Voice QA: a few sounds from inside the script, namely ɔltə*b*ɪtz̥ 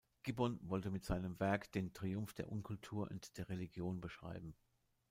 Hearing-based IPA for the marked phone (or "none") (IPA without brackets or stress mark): m